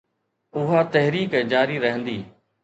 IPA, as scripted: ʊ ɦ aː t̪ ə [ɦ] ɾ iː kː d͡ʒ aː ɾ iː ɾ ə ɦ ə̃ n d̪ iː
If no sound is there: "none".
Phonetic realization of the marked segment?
ɦ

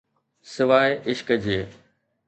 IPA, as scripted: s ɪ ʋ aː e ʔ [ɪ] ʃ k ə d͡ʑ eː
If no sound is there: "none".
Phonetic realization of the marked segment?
ɪ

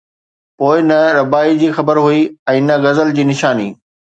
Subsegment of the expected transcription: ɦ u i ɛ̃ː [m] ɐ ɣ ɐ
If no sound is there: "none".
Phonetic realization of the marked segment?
n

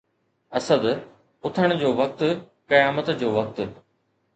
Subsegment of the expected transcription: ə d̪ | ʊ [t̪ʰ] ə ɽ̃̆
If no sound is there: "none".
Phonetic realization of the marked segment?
t̪ʰ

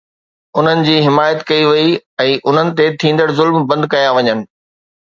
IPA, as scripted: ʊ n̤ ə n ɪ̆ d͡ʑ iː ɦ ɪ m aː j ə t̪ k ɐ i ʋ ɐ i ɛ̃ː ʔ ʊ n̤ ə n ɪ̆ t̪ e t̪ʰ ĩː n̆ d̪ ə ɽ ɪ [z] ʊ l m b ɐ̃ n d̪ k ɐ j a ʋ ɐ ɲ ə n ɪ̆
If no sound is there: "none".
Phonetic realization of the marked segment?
z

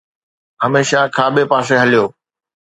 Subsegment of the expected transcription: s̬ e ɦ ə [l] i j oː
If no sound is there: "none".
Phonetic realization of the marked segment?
l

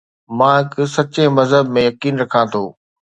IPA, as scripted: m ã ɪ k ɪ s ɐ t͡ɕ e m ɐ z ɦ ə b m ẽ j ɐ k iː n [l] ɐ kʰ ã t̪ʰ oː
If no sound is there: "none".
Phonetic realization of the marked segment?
ɾ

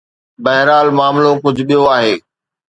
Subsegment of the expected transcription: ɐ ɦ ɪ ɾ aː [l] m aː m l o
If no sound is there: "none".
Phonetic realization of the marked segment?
l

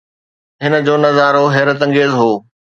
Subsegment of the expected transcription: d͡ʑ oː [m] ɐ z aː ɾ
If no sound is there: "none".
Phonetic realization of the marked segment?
n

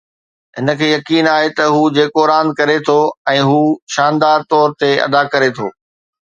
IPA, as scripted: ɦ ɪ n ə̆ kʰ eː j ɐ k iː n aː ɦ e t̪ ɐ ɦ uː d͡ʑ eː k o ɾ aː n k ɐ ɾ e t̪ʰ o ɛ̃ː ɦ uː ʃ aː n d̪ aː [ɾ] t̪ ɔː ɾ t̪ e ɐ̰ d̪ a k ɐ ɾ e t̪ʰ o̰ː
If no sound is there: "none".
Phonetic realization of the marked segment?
ɾ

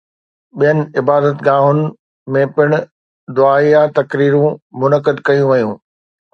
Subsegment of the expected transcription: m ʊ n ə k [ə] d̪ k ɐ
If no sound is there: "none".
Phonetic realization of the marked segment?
ə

